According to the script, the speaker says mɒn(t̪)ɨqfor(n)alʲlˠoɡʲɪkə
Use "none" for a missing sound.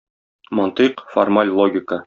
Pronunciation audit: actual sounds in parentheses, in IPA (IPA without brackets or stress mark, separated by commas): t̪, m